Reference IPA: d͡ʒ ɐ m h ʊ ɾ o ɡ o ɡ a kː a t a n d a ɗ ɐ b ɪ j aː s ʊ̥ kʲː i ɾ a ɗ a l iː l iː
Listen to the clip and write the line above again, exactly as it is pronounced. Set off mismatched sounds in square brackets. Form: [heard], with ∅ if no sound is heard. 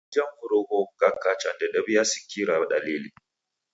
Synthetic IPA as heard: d͡ʒ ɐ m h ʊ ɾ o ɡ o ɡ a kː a [t͡ʃ] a n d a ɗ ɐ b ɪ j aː s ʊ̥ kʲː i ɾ a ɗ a l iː l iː